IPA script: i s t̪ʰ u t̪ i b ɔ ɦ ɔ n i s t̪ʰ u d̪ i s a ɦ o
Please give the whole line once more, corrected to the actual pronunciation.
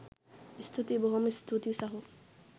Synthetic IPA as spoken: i s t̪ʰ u t̪ i b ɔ ɦ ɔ m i s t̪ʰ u t̪ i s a ɦ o